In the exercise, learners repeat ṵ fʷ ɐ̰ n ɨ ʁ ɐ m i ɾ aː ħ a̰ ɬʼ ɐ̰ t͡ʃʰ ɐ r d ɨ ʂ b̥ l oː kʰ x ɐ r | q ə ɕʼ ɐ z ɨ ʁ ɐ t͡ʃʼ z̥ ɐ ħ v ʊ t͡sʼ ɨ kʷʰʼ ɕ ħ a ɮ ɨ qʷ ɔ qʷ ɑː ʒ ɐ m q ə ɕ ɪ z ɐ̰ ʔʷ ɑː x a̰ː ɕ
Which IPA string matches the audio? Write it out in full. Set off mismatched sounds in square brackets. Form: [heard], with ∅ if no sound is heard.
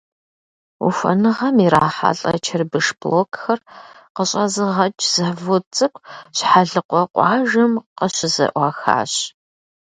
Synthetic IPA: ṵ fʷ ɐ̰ n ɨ ʁ ɐ m i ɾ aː ħ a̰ ɬʼ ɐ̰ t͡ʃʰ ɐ r [b] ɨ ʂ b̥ l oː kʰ x ɐ r | q ə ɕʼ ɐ z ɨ ʁ ɐ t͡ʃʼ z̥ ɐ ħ v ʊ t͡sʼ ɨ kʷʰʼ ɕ ħ a ɮ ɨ qʷ ɔ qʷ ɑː ʒ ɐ m q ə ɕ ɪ z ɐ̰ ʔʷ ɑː x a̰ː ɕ